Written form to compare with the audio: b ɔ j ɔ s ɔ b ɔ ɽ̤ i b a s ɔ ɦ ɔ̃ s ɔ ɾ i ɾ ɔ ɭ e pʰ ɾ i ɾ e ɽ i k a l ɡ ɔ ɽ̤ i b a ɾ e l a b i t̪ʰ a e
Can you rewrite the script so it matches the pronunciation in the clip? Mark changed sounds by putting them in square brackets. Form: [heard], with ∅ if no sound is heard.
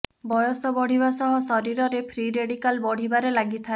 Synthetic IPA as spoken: b ɔ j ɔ s ɔ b ɔ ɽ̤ i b a s ɔ ɦ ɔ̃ s ɔ ɾ i ɾ ɔ [ɾ] e pʰ ɾ i ɾ e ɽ i k a l [b] ɔ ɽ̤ i b a ɾ e l a [ɡ] i t̪ʰ a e